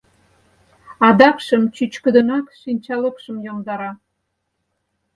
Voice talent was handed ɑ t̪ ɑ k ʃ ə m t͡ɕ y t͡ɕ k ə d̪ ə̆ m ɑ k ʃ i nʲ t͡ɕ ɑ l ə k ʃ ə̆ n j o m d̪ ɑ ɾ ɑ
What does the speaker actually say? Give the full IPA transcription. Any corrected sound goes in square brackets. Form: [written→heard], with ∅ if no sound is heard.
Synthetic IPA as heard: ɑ [t̪→d̪] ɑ k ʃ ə m t͡ɕ y t͡ɕ k ə d̪ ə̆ [m→n] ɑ k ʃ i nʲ t͡ɕ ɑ l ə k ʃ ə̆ [n→m] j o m d̪ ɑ ɾ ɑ